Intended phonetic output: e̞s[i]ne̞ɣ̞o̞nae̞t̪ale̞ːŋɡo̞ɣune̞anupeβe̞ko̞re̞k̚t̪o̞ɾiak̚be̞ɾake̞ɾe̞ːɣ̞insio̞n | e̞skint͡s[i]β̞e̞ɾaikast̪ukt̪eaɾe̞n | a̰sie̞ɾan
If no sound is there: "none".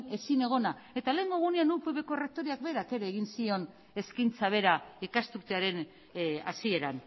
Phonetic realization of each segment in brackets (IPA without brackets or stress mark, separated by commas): i, a